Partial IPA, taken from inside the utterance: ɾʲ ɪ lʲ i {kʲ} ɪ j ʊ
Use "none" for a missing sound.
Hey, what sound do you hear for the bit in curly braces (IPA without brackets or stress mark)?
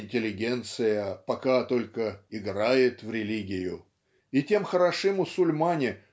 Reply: ɡʲ